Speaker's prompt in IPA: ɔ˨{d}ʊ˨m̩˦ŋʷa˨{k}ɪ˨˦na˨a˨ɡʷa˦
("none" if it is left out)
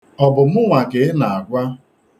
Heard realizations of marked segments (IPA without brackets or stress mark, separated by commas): b, k